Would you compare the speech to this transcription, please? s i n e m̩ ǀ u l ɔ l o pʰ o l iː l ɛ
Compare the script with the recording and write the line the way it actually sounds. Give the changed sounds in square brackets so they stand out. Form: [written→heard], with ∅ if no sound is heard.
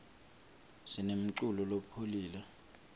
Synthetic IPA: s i n e m̩ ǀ u l ɔ l o pʰ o l iː l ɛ